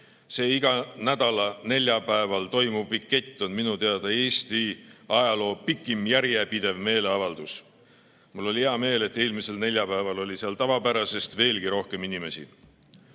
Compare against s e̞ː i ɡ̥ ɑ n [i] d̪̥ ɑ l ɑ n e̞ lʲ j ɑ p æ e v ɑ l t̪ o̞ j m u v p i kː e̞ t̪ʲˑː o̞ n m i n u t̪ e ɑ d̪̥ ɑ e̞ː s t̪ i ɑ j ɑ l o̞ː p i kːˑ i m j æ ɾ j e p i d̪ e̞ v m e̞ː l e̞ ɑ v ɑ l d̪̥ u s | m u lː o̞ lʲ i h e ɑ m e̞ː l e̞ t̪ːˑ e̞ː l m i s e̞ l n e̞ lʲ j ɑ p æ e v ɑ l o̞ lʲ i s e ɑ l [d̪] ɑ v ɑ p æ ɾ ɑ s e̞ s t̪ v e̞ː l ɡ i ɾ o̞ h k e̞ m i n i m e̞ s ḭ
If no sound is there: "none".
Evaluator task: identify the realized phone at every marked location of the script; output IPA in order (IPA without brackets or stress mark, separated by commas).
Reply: æ, t̪